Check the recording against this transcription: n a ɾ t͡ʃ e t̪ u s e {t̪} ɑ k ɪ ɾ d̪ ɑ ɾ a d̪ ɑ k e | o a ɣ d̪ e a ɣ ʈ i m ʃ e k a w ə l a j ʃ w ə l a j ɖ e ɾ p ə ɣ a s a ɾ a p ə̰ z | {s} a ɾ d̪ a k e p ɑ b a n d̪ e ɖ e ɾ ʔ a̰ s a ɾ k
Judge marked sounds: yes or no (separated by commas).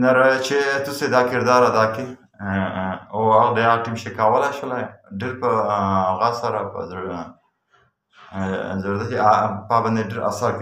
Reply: no, no